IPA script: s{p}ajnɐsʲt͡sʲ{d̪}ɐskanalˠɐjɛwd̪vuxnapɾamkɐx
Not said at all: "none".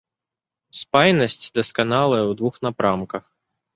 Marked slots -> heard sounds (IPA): p, d̪

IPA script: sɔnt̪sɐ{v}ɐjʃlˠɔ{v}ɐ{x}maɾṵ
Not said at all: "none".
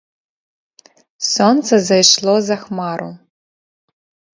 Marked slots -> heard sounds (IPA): z, z, x

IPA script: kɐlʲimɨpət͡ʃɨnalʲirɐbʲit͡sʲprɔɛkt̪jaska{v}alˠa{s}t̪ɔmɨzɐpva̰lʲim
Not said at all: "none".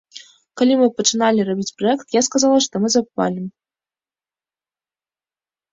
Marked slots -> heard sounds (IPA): z, ʂ

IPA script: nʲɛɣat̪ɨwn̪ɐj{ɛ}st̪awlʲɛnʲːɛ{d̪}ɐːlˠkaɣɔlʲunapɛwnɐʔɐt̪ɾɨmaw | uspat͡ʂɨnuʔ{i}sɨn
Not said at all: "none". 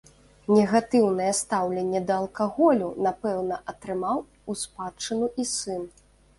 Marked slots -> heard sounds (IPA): ɛ, d̪, i

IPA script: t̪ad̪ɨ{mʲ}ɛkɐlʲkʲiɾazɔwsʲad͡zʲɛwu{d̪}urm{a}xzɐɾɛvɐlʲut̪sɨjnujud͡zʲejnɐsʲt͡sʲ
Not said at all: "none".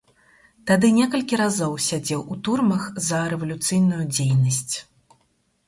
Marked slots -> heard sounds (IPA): nʲ, t̪, ɐ

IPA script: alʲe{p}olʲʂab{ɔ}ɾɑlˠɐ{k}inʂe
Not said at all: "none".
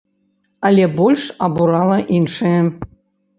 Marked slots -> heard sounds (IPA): b, u, ʔ

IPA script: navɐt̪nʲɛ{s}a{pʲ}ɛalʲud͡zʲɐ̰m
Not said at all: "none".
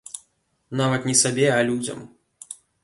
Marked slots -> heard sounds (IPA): s, bʲ

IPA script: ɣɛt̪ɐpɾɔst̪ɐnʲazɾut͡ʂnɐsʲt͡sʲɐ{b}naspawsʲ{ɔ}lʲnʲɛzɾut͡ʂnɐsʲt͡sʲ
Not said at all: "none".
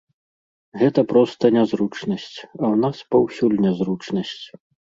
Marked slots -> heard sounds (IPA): w, u

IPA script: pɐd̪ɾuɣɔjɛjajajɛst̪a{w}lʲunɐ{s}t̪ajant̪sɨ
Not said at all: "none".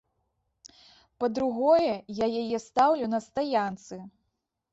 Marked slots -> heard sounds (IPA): w, s

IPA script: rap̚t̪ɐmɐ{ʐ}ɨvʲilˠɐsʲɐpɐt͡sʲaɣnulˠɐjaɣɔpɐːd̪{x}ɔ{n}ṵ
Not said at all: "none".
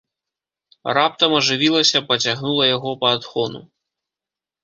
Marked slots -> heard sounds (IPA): ʐ, x, n

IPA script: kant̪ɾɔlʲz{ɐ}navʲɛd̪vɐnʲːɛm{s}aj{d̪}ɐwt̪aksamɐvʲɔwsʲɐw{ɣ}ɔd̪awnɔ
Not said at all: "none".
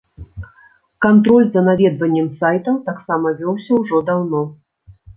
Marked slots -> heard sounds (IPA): ɐ, s, t̪, ʐ

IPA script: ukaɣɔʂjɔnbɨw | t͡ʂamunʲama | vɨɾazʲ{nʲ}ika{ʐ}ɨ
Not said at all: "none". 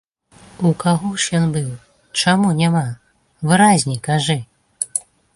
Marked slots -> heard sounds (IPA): nʲ, ʐ

